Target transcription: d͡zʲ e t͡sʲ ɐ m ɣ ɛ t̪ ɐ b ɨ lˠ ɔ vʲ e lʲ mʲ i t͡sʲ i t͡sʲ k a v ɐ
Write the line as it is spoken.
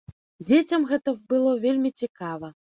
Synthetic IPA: d͡zʲ e t͡sʲ ɐ m ɣ ɛ t̪ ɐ b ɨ lˠ ɔ vʲ e lʲ mʲ i t͡sʲ i k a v ɐ

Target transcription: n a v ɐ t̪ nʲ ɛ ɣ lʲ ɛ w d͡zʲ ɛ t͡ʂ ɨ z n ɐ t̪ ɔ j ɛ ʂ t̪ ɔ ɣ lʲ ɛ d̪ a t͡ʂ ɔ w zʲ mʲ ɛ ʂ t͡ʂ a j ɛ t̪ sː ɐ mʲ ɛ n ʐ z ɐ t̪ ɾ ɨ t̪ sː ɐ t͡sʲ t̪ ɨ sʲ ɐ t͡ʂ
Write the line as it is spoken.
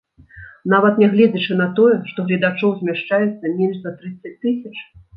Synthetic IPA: n a v ɐ t̪ nʲ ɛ ɣ lʲ ɛ d͡zʲ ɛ t͡ʂ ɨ n ɐ t̪ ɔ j ɛ ʂ t̪ ɔ ɣ lʲ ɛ d̪ a t͡ʂ ɔ w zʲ mʲ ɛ ʂ t͡ʂ a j ɛ t̪ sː ɐ mʲ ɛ n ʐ z ɐ t̪ ɾ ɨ t̪ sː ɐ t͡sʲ t̪ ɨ sʲ ɐ t͡ʂ

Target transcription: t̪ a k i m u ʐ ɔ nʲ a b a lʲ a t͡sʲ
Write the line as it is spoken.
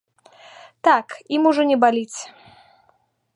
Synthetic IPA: t̪ a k i m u ʐ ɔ nʲ ɛ b a lʲ i t͡sʲ

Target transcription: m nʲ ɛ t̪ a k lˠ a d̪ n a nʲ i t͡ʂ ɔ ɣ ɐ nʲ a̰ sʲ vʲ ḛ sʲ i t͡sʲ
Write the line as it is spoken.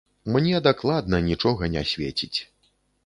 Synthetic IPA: m nʲ ɛ d̪ a k lˠ a d̪ n ɐ nʲ i t͡ʂ ɔ ɣ ɐ nʲ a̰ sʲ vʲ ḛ t͡sʲ i t͡sʲ

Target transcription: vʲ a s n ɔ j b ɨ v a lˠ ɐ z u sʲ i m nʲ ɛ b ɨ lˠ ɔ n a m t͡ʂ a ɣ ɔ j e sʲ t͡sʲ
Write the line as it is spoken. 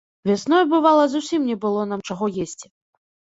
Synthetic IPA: vʲ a s n ɔ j b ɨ v a lˠ ɐ z u sʲ i m nʲ ɛ b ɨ lˠ ɔ n a m t͡ʂ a ɣ ɔ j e sʲ t͡sʲ

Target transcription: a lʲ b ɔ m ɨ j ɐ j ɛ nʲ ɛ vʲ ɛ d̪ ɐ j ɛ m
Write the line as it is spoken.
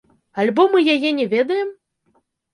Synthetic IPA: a lʲ b ɔ m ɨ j a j ɛ nʲ ɛ vʲ ɛ d̪ ɐ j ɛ m

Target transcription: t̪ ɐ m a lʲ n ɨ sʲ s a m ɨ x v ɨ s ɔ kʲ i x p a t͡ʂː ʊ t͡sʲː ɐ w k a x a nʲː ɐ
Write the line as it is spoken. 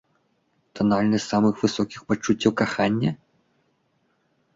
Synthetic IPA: t̪ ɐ n a lʲ n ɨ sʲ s a m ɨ x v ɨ s ɔ kʲ i x p a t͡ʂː u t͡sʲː ɐ w k a x a nʲː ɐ

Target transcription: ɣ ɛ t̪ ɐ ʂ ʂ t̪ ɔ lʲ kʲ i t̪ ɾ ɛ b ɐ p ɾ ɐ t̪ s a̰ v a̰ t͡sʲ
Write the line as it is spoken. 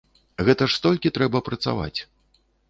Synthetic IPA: ɣ ɛ t̪ ɐ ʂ s t̪ ɔ lʲ kʲ i t̪ ɾ ɛ b ɐ p ɾ ɐ t̪ s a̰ v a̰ t͡sʲ

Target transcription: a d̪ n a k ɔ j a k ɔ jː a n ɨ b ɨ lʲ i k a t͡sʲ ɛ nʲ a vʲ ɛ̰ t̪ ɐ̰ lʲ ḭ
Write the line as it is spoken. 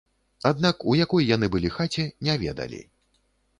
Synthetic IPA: a d̪ n a k u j a k ɔ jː a n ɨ b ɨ lʲ i x a t͡sʲ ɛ nʲ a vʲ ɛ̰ d̪ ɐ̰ lʲ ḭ

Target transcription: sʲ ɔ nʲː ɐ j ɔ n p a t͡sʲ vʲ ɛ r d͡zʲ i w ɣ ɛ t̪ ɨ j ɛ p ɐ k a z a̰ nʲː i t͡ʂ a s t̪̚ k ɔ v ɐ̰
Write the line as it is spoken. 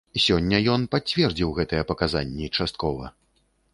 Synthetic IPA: sʲ ɔ nʲː ɐ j ɔ n p a t͡sʲ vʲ ɛ r d͡zʲ i w ɣ ɛ t̪ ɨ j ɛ p ɐ k a z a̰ nʲː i t͡ʂ a s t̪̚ k ɔ v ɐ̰

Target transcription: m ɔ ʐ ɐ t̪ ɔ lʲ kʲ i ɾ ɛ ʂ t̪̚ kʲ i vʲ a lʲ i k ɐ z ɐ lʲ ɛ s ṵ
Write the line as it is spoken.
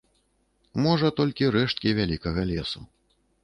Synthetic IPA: m ɔ ʐ ɐ t̪ ɔ lʲ kʲ i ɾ ɛ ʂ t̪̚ kʲ i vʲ a lʲ i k ɐ ɣ ɐ lʲ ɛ s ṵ

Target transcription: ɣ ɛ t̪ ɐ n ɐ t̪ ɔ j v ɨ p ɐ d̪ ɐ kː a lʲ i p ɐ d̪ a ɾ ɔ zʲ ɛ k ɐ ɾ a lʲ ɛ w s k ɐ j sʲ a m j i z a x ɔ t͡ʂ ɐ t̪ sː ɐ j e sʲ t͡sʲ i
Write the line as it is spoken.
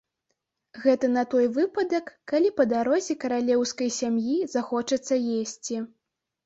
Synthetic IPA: ɣ ɛ t̪ ɐ n ɐ t̪ ɔ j v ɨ p ɐ d̪ ɐ kː a lʲ i p ɐ d̪ a ɾ ɔ zʲ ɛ k ɐ ɾ a lʲ ɛ w s k ɐ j sʲ a m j i z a x ɔ t͡ʂ ɐ t̪ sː ɐ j e sʲ t͡sʲ i

